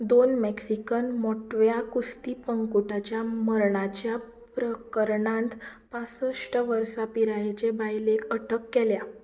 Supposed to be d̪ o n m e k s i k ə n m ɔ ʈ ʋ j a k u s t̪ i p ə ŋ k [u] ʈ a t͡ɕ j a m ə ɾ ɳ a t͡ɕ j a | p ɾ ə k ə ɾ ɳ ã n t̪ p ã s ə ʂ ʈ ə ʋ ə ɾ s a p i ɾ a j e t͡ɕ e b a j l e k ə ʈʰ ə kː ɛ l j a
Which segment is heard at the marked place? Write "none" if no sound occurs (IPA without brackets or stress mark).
u